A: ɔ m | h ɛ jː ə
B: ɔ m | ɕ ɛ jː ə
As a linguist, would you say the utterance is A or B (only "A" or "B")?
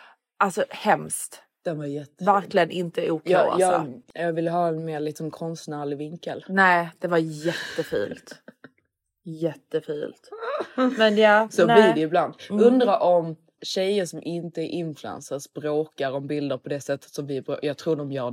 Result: B